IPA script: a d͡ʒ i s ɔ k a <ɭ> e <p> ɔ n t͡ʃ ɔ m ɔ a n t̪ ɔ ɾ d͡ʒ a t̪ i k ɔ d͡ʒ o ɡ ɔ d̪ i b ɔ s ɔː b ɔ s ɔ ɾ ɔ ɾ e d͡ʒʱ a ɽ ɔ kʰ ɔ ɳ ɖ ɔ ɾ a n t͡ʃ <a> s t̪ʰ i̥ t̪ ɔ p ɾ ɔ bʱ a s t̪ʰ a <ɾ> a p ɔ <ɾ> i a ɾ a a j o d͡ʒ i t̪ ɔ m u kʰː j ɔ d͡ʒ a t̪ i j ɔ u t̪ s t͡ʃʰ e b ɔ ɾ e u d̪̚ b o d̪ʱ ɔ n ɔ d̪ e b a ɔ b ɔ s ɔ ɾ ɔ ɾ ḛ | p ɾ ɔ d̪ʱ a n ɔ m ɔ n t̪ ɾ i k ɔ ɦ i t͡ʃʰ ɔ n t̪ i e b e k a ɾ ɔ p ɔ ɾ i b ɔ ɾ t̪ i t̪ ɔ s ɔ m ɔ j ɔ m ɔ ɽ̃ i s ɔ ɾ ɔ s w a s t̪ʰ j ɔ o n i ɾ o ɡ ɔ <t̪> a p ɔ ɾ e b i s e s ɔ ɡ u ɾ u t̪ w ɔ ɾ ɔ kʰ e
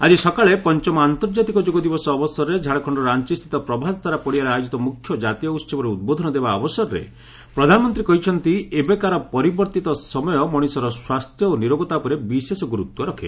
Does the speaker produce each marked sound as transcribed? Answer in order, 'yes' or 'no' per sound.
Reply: yes, yes, no, yes, no, yes

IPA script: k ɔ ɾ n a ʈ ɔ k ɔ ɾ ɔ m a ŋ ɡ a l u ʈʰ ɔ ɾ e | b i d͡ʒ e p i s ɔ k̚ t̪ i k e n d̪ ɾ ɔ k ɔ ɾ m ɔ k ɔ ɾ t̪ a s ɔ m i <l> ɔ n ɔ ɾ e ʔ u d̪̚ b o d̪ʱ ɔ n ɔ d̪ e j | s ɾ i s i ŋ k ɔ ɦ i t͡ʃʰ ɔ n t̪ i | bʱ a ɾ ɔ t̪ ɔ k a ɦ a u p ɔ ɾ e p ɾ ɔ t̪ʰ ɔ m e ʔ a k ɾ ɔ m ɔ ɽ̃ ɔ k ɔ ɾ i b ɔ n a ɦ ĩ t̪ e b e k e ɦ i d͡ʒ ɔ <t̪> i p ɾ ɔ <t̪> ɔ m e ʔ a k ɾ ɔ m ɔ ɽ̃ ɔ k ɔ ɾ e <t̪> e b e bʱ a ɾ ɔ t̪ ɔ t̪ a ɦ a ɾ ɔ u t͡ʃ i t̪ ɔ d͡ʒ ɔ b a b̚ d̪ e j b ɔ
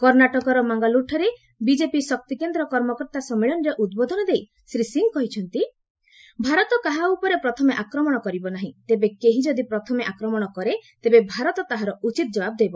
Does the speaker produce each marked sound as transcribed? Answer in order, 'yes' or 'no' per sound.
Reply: no, no, no, yes

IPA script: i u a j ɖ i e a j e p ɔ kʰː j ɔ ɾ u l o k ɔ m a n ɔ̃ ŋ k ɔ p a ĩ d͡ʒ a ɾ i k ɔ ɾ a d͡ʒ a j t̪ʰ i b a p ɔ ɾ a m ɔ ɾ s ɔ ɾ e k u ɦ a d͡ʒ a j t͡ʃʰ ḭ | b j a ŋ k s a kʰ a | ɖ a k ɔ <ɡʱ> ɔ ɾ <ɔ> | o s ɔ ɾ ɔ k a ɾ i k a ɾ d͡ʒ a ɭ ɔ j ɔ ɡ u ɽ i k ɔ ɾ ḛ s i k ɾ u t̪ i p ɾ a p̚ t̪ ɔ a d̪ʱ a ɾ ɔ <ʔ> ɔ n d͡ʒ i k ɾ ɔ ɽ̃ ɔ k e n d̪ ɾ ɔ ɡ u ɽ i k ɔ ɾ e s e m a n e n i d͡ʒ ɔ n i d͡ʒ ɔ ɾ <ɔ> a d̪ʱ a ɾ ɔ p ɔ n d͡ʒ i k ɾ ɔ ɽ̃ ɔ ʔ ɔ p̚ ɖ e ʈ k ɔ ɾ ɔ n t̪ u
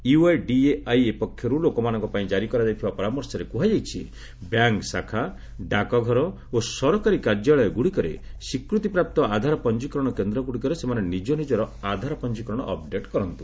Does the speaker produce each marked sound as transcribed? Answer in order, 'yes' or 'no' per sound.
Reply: yes, yes, no, yes

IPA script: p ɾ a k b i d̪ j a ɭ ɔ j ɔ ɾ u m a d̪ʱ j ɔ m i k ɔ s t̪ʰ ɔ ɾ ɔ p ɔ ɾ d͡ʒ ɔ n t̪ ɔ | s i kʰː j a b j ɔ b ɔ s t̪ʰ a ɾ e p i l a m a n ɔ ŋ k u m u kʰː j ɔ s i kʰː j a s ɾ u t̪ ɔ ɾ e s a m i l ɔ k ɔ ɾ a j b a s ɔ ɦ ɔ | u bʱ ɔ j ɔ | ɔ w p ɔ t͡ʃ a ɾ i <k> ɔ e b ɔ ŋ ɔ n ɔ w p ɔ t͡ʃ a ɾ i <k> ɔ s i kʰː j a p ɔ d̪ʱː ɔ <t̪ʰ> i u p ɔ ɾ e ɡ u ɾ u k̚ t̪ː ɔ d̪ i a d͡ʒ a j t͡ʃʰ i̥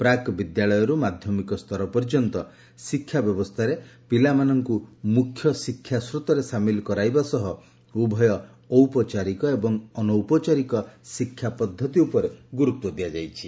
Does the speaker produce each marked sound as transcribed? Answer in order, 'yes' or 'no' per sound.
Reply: yes, yes, no

